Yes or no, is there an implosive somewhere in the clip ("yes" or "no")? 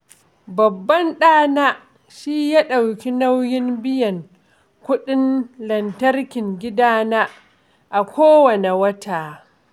yes